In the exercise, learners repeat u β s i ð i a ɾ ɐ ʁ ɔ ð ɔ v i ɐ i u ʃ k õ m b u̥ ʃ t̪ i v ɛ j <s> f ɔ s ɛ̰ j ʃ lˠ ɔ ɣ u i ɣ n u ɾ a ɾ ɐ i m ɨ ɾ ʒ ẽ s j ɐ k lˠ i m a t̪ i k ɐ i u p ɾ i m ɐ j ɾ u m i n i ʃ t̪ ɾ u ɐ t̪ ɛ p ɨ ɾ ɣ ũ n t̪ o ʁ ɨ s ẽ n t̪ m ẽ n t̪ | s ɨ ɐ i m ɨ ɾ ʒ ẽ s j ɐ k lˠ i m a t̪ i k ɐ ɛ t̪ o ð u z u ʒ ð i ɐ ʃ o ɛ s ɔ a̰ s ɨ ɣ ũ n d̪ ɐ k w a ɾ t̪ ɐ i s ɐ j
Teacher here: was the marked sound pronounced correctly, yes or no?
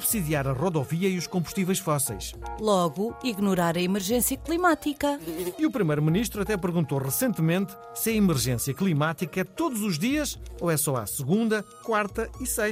no